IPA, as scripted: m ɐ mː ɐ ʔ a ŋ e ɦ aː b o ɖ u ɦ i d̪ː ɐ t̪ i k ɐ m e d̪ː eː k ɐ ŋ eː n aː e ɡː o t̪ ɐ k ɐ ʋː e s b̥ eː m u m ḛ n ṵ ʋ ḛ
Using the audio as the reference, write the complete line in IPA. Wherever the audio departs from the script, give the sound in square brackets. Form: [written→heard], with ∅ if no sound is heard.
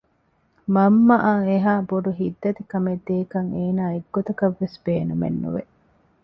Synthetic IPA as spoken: m ɐ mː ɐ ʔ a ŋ e ɦ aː b o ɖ u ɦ i d̪ː ɐ t̪ i k ɐ m e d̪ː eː k ɐ ŋ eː n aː e ɡː o t̪ ɐ k ɐ ʋː e s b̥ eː [m→n] u m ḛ [n→nː] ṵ ʋ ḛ